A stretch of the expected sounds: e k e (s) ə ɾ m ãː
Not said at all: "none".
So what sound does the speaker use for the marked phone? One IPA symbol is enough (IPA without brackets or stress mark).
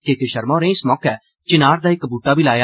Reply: ʃ